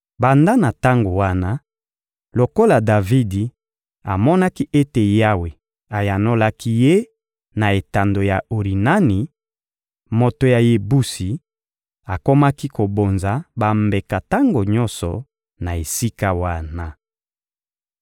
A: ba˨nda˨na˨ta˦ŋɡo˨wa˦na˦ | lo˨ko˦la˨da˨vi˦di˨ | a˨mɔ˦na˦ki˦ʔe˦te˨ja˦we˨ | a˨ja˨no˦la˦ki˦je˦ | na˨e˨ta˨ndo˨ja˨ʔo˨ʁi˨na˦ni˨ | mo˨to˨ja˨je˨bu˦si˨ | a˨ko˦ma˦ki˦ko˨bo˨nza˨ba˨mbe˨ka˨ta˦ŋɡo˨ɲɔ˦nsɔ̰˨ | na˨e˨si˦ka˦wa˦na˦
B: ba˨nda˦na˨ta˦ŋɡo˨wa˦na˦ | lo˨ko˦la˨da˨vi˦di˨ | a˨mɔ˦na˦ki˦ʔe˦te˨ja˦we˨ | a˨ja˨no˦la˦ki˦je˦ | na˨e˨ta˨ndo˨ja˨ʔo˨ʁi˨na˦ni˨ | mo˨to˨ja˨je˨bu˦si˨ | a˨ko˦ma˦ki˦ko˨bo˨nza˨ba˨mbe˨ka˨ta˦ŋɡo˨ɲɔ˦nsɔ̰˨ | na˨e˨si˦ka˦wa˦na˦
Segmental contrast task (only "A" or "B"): B